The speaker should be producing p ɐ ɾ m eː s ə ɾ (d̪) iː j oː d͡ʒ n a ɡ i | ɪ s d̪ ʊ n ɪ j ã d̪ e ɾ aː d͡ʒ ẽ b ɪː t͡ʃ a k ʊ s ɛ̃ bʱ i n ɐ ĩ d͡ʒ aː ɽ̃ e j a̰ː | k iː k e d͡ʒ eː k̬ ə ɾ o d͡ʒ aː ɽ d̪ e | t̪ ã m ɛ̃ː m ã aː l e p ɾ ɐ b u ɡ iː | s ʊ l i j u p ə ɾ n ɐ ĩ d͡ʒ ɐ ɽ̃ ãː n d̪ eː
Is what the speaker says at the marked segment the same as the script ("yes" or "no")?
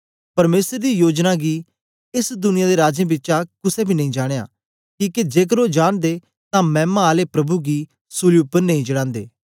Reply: yes